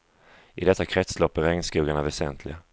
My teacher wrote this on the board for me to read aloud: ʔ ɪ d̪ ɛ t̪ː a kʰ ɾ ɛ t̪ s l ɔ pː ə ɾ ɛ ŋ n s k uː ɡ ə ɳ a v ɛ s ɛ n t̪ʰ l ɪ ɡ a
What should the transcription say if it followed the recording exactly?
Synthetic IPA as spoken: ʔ ɪ d̪ ɛ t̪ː a kʰ ɾ ɛ t̪ s l ɔ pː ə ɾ ɛ ŋ n s k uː ɡ a ɳ a v ɛ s ɛ n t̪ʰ l ɪ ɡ a